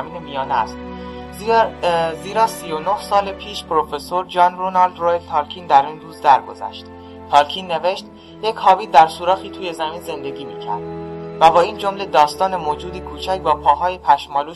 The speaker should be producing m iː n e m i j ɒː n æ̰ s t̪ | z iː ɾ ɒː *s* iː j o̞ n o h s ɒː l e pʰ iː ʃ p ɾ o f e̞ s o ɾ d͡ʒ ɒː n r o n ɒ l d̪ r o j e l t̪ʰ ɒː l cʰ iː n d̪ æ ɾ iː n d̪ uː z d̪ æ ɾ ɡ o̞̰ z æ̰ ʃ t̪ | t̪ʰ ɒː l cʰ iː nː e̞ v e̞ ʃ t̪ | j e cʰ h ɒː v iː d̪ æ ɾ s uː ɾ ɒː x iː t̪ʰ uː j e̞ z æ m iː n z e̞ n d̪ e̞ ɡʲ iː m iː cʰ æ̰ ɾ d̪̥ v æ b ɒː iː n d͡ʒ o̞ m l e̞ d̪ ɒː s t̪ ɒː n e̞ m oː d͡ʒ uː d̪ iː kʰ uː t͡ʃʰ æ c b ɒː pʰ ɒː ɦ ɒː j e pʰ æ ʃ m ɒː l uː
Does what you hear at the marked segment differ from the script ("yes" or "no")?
no